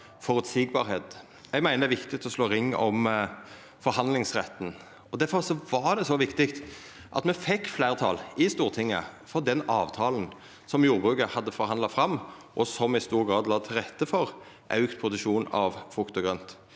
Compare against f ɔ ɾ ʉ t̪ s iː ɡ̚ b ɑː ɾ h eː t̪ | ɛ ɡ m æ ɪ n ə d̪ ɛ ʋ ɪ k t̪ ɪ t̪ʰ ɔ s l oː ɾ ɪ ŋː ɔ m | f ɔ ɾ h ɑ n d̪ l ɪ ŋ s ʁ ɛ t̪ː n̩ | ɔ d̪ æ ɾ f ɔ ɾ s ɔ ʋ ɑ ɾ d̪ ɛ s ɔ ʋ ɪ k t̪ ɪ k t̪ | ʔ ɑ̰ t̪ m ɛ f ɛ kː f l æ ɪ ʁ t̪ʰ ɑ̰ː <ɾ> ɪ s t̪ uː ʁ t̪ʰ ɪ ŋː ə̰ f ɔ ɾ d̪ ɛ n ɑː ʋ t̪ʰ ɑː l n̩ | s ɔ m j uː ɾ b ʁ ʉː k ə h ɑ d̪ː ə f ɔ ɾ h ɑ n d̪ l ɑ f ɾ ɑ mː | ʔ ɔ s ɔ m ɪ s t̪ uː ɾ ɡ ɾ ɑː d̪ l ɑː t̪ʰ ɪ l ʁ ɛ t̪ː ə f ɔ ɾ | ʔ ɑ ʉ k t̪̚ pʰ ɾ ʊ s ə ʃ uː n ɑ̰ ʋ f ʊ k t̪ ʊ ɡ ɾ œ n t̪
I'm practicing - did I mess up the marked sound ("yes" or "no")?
yes